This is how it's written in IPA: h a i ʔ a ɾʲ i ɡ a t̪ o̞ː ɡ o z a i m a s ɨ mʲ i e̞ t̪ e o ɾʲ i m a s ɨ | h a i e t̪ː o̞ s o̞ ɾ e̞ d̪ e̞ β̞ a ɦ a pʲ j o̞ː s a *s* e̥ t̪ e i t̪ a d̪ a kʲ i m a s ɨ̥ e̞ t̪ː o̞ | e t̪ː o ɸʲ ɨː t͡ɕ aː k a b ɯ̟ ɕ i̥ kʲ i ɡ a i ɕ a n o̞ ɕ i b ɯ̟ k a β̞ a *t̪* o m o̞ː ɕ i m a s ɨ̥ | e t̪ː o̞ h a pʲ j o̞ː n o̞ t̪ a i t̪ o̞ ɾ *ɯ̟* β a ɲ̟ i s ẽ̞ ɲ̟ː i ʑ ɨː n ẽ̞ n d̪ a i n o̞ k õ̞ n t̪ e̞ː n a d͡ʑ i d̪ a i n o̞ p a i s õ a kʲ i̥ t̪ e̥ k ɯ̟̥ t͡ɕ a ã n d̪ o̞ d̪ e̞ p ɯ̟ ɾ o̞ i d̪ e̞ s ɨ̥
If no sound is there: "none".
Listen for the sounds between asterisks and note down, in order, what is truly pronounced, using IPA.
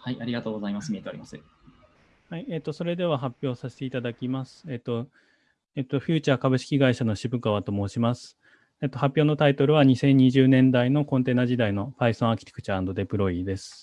s, t̪, ɯ̟

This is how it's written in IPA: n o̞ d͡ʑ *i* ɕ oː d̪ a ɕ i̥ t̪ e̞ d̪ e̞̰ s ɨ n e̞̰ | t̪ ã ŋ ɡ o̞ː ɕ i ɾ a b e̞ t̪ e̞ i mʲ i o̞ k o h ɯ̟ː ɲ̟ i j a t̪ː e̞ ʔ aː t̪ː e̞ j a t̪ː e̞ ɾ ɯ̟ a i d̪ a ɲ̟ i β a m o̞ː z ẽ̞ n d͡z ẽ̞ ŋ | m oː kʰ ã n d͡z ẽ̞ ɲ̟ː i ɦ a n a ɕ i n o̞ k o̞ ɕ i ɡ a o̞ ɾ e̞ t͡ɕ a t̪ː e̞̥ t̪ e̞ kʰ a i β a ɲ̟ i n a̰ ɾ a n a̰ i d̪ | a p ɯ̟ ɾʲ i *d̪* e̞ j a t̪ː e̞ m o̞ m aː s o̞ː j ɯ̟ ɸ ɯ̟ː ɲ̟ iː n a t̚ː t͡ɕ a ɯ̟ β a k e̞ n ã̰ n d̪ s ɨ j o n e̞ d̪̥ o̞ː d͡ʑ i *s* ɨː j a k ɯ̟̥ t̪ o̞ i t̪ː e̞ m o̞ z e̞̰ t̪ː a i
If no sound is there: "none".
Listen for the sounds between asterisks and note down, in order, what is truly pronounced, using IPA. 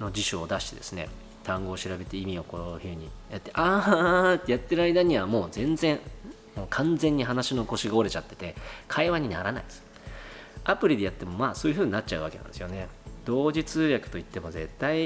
i, d̪, t͡s

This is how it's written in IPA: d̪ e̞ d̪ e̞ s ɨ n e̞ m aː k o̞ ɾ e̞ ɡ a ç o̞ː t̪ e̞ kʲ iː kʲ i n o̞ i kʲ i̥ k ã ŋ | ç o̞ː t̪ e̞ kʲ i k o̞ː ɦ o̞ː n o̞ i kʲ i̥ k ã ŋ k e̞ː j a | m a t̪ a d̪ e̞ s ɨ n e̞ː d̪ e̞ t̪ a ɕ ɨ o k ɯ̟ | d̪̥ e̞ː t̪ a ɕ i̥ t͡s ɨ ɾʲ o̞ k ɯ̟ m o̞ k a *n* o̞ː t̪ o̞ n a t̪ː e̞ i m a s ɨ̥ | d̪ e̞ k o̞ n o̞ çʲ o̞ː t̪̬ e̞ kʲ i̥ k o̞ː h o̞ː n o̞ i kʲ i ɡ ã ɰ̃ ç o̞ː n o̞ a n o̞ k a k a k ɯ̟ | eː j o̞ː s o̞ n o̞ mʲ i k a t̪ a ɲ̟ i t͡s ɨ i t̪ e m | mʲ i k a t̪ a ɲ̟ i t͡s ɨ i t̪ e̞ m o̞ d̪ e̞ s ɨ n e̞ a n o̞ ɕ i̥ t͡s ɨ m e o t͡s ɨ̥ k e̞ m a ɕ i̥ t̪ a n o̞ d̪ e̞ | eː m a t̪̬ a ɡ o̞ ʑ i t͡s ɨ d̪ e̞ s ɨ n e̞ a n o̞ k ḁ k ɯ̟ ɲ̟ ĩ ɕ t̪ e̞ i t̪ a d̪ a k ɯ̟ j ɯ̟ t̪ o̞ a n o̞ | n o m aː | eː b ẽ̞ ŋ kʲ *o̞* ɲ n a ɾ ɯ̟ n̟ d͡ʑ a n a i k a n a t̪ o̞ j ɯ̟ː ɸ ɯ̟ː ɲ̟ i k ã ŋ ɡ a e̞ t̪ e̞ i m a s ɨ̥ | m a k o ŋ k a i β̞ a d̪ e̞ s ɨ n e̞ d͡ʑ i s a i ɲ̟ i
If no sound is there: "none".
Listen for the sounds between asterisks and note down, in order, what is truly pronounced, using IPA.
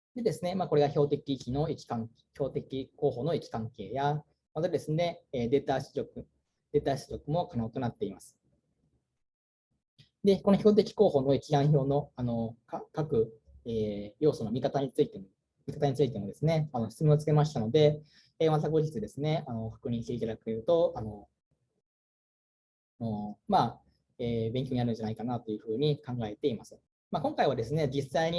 n, o̞

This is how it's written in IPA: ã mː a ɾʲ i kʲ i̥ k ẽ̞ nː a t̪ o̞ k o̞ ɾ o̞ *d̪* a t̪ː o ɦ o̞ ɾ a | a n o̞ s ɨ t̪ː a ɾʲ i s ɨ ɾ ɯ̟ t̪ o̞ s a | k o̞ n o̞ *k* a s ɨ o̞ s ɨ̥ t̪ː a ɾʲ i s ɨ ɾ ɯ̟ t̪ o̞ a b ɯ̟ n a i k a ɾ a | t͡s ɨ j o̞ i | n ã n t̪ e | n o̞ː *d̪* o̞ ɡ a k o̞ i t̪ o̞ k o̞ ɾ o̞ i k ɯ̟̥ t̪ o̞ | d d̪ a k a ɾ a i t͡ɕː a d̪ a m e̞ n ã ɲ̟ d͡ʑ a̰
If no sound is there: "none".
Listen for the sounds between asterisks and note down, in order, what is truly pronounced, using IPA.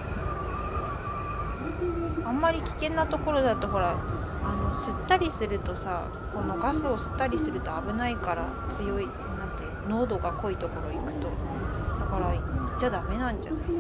d̪, ɡ, d̪

